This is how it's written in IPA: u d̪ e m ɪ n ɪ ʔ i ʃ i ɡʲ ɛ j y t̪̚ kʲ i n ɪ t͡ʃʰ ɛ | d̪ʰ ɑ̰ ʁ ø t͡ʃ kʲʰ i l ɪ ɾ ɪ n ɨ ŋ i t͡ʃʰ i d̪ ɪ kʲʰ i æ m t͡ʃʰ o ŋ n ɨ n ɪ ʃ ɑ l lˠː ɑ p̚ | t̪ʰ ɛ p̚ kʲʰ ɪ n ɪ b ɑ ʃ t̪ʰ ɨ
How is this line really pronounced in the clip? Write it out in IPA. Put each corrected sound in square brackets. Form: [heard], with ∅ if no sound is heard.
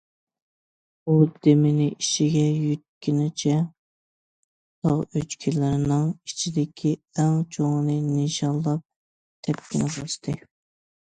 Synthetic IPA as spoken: u d̪ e m ɪ n ɪ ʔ i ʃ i ɡʲ ɛ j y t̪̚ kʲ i n ɪ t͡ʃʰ ɛ | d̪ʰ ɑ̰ ʁ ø t͡ʃ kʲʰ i l ɪ ɾ ɪ n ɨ ŋ i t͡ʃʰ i d̪ ɪ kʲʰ i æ [ŋ] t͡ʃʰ o ŋ n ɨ n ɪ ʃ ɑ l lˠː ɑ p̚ | t̪ʰ ɛ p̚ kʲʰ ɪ n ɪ b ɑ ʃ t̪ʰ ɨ